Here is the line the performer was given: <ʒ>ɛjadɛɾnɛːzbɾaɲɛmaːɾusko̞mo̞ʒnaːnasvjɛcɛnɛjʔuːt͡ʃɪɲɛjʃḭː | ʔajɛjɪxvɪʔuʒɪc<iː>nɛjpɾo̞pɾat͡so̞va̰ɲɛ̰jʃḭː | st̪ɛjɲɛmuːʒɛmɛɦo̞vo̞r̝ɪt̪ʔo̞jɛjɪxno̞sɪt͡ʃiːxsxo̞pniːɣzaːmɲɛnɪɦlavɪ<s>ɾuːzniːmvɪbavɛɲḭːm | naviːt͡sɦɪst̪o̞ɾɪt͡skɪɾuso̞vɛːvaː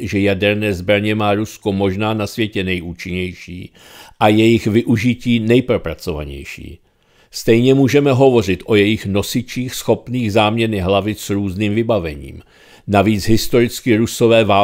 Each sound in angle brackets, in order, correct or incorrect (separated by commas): correct, correct, correct